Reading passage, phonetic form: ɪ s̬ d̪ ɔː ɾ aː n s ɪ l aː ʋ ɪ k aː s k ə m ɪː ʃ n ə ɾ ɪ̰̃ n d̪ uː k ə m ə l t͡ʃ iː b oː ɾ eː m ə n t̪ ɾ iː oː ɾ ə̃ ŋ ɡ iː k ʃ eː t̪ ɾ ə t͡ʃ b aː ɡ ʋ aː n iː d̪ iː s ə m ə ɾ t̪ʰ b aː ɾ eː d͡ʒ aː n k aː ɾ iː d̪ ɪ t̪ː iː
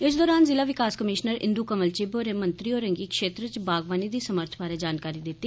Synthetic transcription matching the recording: ɪ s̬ d̪ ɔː ɾ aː n z ɪ l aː ʋ ɪ k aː s k ə m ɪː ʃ n ə ɾ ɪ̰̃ n d̪ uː k ə m ə l t͡ʃ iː b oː ɾ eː m ə n t̪ ɾ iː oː ɾ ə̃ ŋ ɡ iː k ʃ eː t̪ ɾ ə t͡ʃ b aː ɡ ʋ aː n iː d̪ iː s ə m ə ɾ t̪ʰ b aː ɾ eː d͡ʒ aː n k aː ɾ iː d̪ ɪ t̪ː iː